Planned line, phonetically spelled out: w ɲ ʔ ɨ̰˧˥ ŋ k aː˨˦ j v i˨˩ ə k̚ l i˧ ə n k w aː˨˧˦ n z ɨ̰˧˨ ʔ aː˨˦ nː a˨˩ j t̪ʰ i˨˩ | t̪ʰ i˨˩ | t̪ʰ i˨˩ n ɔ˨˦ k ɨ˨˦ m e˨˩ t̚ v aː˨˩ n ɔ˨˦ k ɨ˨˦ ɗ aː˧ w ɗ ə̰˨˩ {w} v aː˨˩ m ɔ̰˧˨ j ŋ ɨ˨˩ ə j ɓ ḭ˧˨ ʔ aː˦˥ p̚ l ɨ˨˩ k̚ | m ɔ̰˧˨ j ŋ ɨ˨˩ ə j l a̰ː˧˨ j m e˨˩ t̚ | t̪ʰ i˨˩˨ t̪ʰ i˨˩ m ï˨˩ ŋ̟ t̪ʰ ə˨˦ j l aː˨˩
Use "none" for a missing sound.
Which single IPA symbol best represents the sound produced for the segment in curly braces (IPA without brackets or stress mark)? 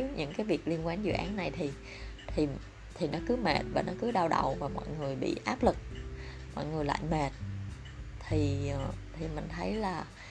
w